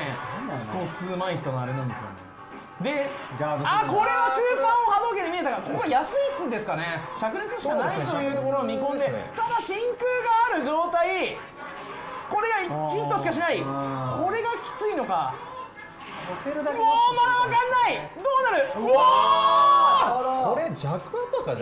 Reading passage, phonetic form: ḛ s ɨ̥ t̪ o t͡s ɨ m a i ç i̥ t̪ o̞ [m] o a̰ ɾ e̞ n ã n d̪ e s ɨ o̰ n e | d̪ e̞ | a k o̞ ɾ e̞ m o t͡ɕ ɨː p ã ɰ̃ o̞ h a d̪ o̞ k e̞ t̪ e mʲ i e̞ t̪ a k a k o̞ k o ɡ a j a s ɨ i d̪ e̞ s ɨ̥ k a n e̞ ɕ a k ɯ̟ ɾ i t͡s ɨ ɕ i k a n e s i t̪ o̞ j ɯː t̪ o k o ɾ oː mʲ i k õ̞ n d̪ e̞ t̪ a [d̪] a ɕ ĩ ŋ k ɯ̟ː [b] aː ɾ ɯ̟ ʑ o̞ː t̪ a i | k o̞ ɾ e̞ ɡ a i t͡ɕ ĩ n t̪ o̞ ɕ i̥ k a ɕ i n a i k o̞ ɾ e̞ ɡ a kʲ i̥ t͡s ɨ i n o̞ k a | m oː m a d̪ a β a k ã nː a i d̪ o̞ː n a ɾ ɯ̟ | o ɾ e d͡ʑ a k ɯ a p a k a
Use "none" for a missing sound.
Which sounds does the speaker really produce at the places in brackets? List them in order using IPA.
n, d̪, ɡ

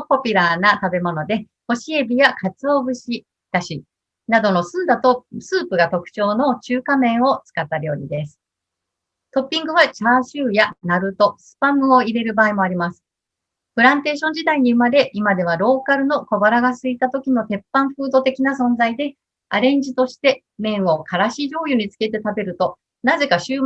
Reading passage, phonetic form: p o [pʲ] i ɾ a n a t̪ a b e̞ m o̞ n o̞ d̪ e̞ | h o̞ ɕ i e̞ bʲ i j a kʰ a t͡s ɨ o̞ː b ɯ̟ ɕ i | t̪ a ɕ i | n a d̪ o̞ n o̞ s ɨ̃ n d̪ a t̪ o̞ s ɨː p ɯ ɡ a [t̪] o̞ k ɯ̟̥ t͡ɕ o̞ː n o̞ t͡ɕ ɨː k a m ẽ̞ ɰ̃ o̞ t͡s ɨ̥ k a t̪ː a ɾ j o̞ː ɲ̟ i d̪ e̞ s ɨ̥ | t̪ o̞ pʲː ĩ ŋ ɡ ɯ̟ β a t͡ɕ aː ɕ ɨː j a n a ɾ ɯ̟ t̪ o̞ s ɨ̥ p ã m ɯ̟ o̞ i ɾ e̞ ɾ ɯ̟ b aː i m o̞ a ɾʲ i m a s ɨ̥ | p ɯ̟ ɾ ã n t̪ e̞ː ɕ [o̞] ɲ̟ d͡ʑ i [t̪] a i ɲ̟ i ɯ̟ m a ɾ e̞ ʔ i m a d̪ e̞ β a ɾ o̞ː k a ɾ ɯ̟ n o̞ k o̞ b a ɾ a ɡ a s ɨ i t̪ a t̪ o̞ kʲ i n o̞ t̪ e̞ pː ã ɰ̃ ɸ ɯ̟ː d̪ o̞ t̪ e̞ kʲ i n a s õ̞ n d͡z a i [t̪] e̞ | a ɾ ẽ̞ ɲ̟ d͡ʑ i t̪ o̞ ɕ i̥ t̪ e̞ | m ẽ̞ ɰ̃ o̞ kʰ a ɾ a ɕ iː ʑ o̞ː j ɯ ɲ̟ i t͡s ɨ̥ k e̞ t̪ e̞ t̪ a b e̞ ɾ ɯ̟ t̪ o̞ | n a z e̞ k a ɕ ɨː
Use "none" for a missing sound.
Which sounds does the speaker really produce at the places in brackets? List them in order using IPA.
pʲ, t̪, õ̞, d̪, d̪

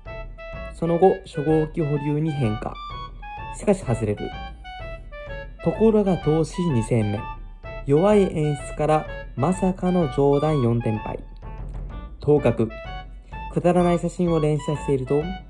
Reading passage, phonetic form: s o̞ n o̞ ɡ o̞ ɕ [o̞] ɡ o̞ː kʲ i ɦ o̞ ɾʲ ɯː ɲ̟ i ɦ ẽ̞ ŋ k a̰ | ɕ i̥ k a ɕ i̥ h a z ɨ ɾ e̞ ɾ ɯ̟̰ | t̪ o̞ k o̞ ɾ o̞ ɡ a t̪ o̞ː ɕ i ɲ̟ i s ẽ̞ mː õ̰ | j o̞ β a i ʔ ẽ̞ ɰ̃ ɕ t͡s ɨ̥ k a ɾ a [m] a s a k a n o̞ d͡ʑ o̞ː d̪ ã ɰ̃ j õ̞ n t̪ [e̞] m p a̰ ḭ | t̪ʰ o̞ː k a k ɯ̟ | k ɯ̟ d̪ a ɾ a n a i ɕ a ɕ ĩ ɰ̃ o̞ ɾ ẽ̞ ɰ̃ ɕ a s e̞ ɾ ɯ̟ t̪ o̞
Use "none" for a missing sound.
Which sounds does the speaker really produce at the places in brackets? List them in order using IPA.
o̞, m, ẽ̞

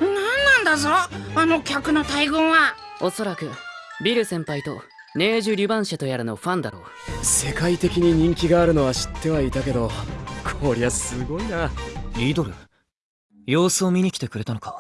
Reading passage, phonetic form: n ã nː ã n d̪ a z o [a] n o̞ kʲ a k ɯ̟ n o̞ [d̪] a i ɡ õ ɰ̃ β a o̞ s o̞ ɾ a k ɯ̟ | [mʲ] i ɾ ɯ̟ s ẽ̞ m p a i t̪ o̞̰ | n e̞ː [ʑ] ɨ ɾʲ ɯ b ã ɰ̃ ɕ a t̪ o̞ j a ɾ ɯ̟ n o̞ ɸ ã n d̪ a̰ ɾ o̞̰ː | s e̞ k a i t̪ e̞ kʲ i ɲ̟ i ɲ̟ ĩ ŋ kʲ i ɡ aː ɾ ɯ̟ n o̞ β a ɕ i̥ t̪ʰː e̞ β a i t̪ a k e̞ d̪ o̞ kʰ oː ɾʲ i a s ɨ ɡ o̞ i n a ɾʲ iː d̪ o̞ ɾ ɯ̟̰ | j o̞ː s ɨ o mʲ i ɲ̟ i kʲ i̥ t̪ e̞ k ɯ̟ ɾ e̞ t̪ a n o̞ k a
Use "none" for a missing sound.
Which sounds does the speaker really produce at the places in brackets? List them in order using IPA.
a, t̪, bʲ, ʑ

